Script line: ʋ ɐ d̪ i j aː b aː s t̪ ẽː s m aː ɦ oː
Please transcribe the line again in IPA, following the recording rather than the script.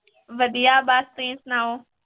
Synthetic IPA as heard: ʋ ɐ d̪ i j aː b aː s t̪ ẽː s n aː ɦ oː